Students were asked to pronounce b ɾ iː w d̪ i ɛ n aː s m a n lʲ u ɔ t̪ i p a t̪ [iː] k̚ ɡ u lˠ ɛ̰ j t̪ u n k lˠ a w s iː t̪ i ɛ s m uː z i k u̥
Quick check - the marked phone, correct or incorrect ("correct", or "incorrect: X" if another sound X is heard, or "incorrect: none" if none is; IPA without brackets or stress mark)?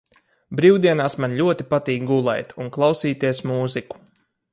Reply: correct